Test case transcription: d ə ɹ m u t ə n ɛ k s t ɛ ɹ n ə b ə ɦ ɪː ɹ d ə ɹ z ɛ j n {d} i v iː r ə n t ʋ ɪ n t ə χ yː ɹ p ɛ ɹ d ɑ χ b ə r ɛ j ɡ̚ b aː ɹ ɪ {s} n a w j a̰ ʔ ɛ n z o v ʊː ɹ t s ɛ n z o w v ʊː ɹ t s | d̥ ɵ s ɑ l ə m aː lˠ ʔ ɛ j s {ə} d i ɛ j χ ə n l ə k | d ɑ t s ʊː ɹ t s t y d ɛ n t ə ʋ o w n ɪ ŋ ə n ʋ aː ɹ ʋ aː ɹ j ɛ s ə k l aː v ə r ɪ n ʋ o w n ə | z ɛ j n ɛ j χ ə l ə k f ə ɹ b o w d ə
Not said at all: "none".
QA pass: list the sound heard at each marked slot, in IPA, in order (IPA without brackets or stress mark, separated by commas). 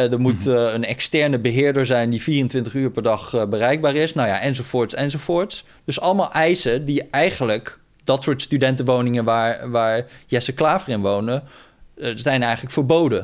d, s, ə